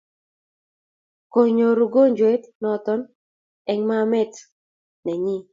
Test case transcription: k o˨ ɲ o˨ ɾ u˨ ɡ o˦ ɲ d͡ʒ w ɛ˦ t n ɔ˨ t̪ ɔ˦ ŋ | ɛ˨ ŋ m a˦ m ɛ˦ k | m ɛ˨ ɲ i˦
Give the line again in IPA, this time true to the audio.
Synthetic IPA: k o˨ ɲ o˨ ɾ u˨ ɡ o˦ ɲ d͡ʒ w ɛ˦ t n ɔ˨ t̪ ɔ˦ n | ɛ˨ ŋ m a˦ m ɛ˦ t | n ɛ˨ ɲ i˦